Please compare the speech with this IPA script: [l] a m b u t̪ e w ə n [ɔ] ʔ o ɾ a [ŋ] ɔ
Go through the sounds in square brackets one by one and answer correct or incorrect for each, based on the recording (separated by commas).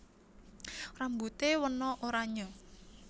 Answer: incorrect, correct, incorrect